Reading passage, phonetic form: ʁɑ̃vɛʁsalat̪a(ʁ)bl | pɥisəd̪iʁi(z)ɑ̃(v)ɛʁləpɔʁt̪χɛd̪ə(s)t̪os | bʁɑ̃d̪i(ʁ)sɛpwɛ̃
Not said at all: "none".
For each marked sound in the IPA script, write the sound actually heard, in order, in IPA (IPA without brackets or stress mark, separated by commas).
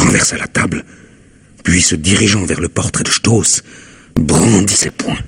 none, ʒ, v, ʃ, none